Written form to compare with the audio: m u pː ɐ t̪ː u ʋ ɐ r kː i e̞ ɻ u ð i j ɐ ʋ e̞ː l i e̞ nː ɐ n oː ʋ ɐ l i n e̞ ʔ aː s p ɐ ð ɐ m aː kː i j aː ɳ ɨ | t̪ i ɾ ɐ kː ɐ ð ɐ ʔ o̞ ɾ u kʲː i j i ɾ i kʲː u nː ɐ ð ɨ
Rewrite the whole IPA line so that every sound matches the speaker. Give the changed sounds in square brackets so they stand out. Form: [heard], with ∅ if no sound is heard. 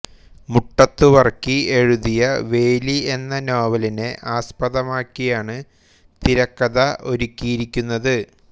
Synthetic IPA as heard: m u [ʈː] ɐ t̪ː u ʋ ɐ r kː i e̞ ɻ u ð i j ɐ ʋ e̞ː l i e̞ nː ɐ n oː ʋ ɐ l i n e̞ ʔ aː s p ɐ ð ɐ m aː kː i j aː ɳ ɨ | t̪ i ɾ ɐ kː ɐ ð ɐ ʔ o̞ ɾ u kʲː i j i ɾ i kʲː u nː ɐ ð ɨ